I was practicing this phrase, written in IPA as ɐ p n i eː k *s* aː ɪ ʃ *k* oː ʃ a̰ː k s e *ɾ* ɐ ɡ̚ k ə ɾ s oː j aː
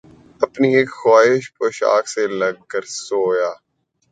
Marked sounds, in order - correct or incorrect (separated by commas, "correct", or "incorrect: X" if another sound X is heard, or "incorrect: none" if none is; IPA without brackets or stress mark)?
incorrect: x, incorrect: p, incorrect: l